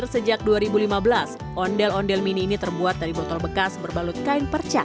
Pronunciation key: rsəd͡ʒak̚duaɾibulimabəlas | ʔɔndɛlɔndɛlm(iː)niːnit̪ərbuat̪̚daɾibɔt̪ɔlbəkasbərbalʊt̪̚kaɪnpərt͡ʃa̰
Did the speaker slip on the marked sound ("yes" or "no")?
yes